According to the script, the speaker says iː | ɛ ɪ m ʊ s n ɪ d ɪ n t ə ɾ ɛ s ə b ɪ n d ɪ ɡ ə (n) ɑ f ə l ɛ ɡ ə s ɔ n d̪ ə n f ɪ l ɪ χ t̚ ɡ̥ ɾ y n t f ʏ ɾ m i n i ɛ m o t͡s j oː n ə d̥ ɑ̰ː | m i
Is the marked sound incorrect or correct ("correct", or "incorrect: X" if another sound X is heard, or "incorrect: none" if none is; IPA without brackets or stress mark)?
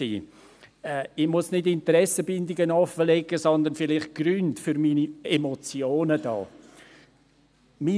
correct